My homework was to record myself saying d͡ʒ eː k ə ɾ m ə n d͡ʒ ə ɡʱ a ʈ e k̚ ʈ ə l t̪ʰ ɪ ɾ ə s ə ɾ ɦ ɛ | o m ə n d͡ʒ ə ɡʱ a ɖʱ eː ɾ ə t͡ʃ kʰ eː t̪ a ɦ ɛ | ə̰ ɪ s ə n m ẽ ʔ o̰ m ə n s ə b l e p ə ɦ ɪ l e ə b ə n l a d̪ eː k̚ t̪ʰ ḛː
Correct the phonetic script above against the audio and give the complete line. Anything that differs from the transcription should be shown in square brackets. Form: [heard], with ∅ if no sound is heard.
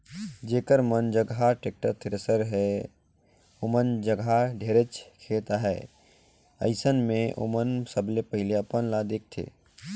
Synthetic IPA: d͡ʒ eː k ə ɾ m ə n d͡ʒ ə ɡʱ a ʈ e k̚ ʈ ə [ɾ] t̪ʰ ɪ ɾ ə s ə ɾ ɦ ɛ | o m ə n d͡ʒ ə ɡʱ a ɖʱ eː ɾ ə t͡ʃ kʰ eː t̪ a ɦ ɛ | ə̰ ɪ s ə n m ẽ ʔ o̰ m ə n s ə b l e p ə ɦ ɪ l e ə [p] ə n l a d̪ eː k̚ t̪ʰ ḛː